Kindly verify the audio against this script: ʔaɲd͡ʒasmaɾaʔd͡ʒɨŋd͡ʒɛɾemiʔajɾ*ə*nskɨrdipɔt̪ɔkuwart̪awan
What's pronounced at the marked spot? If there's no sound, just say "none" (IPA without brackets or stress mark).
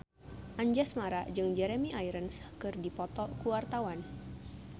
ə